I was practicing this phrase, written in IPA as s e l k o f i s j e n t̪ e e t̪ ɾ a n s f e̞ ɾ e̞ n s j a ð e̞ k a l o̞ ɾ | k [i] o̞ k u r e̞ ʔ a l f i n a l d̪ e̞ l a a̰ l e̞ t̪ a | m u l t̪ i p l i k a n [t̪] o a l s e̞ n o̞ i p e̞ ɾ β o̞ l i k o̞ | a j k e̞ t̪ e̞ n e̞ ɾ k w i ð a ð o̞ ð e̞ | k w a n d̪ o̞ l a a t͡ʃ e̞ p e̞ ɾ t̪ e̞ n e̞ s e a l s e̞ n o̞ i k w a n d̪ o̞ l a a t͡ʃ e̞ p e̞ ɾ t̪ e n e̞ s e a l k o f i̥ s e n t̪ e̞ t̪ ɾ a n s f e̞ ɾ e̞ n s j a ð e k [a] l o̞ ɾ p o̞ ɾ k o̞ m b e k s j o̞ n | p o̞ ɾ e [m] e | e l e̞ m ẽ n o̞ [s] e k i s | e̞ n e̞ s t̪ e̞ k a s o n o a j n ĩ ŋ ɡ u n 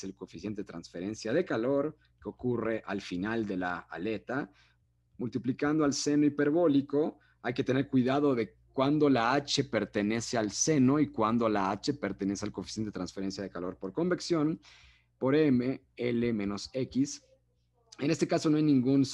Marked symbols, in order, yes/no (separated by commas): no, no, yes, yes, yes